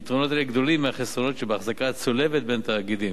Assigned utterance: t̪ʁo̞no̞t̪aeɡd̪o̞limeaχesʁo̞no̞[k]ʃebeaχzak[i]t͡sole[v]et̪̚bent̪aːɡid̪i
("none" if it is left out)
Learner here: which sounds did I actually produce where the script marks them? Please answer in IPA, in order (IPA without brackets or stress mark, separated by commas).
t, a, v